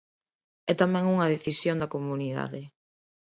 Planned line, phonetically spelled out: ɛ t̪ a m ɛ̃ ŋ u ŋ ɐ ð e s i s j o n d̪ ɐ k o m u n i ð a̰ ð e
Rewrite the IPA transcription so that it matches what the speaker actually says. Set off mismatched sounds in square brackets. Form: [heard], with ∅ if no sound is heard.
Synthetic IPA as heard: ɛ t̪ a m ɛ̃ ŋ u ŋ ɐ ð e [θ] i s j o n d̪ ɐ k o m u n i ð a̰ ð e